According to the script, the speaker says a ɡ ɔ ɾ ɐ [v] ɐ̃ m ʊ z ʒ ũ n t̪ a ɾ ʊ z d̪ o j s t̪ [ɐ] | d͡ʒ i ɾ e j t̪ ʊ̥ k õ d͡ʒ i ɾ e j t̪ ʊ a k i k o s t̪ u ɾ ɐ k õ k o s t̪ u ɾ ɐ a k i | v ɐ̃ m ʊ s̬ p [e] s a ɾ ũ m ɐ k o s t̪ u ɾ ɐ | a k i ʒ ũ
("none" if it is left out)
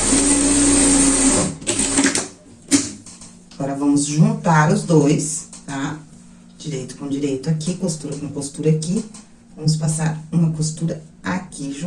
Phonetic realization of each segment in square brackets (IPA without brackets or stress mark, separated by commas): v, a, a